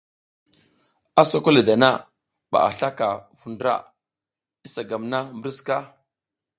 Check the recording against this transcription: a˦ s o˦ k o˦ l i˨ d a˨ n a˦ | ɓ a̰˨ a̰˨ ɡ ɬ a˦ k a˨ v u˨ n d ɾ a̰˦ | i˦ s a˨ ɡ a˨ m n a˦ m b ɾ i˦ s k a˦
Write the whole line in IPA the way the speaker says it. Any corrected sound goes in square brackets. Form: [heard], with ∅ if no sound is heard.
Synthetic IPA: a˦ s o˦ k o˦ l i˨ d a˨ n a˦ | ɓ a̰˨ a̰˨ [∅] ɬ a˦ k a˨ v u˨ n d ɾ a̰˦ | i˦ s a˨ ɡ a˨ m n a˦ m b ɾ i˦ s k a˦